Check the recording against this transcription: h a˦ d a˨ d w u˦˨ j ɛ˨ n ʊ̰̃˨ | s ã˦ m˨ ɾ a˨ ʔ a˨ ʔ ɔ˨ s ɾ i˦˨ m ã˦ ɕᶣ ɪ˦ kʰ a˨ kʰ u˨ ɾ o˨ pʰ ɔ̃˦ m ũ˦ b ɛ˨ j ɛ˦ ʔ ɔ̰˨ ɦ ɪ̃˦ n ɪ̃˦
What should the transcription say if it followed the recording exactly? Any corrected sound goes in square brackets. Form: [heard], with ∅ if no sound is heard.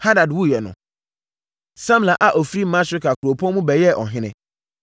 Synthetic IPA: h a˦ d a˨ d w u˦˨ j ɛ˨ n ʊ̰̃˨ | s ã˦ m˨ [l] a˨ ʔ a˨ ʔ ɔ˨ [f] ɾ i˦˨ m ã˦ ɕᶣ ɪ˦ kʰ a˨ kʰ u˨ ɾ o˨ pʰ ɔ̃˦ m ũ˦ b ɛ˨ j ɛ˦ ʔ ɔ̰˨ ɦ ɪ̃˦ n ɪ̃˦